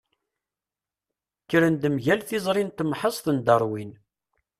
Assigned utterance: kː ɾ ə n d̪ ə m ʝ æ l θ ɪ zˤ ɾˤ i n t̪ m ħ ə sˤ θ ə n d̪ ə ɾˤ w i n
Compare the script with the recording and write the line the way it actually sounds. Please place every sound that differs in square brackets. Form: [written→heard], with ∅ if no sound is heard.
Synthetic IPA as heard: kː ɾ ə n d̪ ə m ʝ æ l θ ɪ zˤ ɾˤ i n t̪ m ħ ə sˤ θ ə n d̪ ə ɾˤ w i n